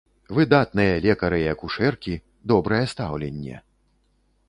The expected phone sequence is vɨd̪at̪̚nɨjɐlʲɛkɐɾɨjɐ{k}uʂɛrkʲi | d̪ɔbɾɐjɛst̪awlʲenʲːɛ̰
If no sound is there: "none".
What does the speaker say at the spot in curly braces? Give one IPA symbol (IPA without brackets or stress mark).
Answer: k